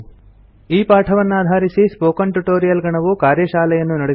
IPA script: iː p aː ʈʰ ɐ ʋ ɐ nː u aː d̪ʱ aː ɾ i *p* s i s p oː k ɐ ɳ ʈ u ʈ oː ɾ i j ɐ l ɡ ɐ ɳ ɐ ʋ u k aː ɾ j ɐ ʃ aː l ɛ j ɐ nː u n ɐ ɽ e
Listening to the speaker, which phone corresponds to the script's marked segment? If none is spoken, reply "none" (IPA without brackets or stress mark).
none